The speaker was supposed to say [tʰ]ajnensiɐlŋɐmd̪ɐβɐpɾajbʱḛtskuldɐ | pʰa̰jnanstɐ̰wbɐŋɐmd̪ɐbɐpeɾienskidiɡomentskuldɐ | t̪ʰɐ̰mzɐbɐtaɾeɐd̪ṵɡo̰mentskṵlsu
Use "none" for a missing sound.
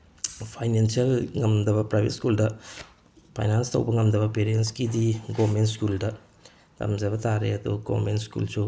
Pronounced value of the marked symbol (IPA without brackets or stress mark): pʰ